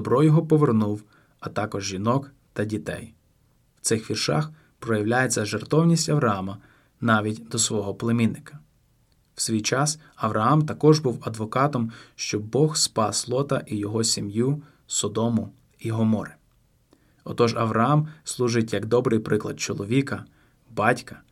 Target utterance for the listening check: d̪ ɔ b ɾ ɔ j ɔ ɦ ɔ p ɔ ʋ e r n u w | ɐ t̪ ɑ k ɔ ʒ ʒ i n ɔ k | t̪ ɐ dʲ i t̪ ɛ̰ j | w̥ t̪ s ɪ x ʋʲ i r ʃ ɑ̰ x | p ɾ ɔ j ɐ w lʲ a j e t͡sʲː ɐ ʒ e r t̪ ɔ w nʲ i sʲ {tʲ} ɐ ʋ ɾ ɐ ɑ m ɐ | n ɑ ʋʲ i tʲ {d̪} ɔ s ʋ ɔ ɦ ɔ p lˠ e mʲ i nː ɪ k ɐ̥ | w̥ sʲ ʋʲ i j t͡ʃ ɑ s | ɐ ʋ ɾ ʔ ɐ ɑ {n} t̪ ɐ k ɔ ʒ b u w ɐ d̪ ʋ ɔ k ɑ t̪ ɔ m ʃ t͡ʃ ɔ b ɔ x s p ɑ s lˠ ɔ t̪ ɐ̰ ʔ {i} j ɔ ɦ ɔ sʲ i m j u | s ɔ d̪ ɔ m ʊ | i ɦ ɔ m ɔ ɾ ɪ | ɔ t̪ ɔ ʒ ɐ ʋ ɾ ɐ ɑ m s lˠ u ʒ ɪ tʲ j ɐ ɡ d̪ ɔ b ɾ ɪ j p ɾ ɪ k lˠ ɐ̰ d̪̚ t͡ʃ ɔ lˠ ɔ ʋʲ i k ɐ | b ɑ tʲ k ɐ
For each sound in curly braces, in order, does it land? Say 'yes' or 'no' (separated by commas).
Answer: yes, yes, no, yes